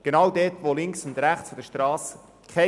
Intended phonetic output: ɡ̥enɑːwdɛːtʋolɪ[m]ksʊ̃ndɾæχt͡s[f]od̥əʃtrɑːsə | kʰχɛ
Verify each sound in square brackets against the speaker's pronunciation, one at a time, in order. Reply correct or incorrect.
incorrect, correct

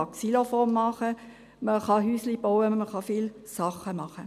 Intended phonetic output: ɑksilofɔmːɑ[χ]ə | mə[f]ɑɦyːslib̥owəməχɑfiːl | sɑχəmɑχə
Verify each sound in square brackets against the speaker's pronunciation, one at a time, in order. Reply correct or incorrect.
correct, incorrect

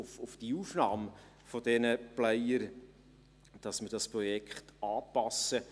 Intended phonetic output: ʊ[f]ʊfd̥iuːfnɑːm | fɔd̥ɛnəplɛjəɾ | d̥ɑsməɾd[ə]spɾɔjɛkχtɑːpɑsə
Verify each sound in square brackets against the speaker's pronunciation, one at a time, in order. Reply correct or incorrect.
correct, incorrect

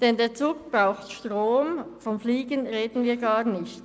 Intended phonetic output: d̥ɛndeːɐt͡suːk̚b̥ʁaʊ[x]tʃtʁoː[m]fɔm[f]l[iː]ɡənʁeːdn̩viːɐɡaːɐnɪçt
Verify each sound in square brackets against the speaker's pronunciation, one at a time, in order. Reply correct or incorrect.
correct, correct, correct, correct

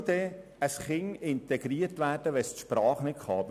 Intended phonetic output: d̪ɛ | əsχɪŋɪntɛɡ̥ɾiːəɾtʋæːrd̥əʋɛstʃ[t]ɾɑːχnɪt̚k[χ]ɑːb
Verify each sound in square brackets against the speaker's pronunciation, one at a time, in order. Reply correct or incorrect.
incorrect, correct

